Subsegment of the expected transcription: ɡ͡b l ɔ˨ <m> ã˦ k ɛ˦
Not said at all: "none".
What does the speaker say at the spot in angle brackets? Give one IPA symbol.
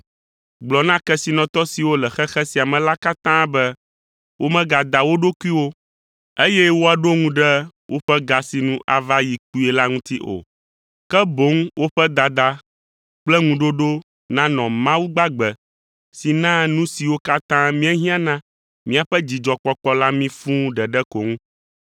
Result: n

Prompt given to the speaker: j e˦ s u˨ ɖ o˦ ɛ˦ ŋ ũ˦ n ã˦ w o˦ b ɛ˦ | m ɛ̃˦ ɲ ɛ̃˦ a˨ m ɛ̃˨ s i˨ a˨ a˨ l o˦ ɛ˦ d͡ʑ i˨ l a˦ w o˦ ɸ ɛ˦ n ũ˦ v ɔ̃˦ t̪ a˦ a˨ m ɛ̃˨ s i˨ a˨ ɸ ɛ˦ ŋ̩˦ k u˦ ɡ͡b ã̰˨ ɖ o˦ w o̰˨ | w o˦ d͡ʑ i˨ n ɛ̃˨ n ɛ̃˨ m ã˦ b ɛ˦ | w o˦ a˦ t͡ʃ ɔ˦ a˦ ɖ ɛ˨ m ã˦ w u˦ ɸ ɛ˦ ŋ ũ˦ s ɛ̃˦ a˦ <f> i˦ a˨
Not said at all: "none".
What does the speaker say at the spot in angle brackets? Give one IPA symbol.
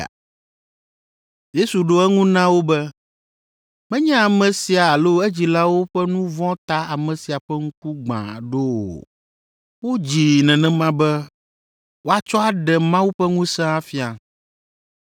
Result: f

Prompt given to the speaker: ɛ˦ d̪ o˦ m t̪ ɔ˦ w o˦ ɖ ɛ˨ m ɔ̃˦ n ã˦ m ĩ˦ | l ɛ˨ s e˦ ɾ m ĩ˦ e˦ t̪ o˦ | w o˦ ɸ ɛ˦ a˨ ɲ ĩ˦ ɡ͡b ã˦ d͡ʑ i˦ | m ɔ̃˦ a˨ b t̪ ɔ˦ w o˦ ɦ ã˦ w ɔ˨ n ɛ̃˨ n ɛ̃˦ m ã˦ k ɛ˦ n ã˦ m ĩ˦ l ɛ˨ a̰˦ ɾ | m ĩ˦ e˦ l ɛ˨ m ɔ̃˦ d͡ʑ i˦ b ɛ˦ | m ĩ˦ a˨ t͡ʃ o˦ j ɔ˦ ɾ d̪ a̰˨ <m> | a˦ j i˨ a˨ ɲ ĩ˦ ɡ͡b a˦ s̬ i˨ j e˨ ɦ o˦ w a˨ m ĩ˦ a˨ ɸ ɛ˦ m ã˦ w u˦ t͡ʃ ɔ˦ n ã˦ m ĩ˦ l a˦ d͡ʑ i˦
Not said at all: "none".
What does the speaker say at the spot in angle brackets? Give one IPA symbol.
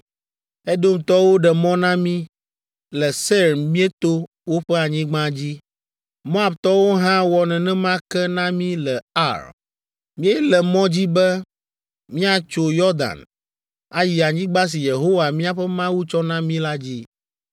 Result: n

